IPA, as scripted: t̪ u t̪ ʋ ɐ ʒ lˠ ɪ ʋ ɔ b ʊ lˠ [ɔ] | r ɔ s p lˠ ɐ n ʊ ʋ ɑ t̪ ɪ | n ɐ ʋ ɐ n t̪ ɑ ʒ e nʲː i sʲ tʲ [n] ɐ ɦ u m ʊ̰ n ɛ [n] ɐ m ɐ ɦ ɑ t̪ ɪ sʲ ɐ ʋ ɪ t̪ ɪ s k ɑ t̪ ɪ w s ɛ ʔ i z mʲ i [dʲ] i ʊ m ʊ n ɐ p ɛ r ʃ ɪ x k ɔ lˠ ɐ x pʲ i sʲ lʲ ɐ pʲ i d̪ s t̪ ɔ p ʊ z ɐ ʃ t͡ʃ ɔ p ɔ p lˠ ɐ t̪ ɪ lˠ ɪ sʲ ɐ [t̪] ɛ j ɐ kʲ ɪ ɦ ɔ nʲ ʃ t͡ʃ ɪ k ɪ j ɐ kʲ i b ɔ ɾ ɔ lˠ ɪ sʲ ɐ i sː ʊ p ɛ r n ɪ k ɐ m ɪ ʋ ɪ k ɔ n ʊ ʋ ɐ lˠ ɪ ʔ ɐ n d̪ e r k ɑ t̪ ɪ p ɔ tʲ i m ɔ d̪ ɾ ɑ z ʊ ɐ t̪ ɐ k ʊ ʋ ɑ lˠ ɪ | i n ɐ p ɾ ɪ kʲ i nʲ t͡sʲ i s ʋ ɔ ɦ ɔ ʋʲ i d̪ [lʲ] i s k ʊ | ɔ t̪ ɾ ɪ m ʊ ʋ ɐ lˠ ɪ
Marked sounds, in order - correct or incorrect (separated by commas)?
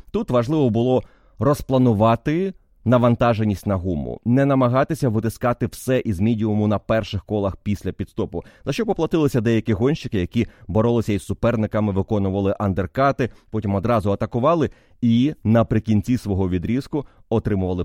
correct, correct, correct, correct, incorrect, incorrect